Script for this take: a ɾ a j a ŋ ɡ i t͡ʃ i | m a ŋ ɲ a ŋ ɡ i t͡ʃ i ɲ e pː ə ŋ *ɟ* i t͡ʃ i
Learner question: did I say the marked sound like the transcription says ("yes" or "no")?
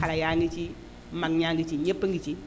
no